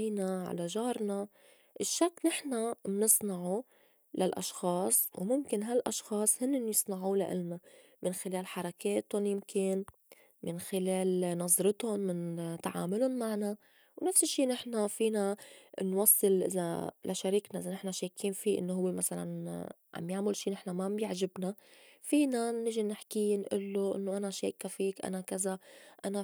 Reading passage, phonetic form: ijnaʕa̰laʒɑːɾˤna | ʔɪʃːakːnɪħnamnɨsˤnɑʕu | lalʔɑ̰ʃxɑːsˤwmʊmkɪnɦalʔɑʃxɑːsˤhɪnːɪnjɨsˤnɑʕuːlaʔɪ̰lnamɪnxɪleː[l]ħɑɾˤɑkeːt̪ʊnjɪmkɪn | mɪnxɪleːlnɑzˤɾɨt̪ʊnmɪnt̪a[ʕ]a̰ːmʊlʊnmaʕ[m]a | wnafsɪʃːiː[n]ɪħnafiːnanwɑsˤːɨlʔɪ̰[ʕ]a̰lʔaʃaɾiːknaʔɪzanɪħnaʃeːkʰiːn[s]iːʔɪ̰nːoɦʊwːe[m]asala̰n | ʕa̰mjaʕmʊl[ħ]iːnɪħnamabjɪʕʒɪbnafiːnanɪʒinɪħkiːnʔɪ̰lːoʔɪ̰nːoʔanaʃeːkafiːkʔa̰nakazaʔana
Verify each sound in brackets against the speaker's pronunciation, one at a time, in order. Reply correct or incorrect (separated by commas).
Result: correct, correct, incorrect, correct, incorrect, incorrect, correct, incorrect